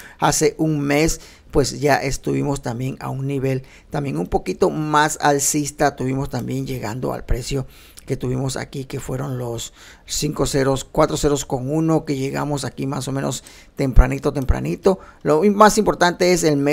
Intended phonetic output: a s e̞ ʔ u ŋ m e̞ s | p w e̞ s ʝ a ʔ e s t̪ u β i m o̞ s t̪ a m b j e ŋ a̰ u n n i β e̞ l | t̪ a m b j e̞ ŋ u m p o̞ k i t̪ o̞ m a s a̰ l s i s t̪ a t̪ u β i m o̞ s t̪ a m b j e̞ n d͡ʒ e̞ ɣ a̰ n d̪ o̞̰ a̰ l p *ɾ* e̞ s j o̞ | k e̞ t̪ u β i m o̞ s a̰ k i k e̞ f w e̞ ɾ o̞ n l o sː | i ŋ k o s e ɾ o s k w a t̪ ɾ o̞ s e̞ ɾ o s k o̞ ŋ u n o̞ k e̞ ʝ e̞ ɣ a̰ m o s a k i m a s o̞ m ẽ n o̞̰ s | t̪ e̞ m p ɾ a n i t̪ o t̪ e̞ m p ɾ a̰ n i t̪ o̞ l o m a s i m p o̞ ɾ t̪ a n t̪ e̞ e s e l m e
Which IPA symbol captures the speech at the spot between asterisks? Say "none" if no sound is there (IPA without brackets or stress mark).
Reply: ɾ